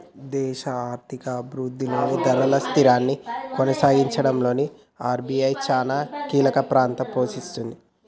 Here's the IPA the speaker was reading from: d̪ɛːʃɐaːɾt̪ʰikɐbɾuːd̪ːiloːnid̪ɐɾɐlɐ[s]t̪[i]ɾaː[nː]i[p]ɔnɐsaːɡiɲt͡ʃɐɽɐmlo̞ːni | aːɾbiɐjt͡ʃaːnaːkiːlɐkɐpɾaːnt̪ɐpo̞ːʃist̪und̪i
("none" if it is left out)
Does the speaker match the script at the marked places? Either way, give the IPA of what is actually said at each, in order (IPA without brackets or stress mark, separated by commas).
s, i, nː, k